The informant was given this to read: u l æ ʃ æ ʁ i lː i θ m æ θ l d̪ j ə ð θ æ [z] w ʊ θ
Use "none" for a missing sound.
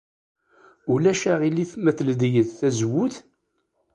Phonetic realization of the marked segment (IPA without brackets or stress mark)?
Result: z